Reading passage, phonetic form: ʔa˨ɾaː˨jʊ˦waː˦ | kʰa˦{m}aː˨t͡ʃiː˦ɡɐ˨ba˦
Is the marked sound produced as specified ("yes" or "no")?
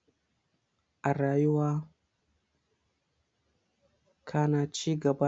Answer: no